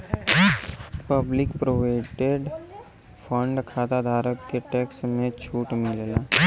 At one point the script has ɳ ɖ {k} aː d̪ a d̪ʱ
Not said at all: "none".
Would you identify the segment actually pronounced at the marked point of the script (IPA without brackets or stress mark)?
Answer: kʰ